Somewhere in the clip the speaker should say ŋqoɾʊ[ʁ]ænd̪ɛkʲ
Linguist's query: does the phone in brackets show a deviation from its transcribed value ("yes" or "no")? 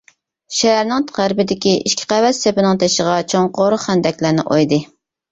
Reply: yes